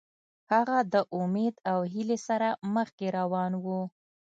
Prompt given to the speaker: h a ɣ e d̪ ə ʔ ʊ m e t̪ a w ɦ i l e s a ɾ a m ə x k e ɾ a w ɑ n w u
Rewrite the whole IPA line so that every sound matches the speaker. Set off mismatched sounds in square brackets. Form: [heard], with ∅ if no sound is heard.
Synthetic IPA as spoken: h a ɣ [a] d̪ ə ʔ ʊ m e [d̪] a w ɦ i l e s a ɾ a m ə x k e ɾ a w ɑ n w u